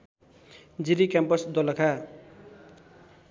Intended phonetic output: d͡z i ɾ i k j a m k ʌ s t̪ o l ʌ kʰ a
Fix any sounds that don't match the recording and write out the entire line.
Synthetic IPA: d͡z i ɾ i k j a m p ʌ s d̪ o l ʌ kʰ a